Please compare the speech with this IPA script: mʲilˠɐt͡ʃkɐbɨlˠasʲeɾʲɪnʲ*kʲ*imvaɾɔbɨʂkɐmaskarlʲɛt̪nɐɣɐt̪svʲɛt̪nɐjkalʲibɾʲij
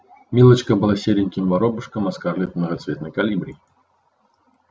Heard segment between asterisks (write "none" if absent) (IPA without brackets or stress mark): kʲ